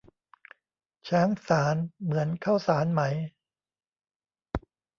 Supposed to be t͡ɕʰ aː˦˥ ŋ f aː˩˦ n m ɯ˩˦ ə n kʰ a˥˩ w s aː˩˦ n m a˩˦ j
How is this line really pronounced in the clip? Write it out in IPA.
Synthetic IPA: t͡ɕʰ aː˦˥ ŋ s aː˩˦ n m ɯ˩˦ ə n kʰ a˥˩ w s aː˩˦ n m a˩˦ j